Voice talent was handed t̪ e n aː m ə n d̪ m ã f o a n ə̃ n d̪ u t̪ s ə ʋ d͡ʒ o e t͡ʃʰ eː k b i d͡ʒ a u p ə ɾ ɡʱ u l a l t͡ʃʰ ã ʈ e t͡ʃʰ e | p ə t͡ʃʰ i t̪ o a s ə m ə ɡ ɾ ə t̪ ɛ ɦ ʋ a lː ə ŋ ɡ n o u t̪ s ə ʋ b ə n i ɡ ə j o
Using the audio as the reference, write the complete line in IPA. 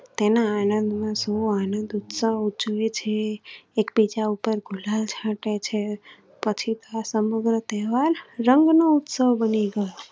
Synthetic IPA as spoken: t̪ e n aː n ə n d̪ m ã s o a n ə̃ n d̪ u t̪ s ə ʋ d͡ʒ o e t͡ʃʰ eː k b i d͡ʒ a u p ə ɾ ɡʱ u l a l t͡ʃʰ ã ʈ e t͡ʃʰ e | p ə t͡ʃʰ i t̪ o a s ə m ə ɡ ɾ ə t̪ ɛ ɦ ʋ a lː ə ŋ ɡ n o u t̪ s ə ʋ b ə n i ɡ ə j o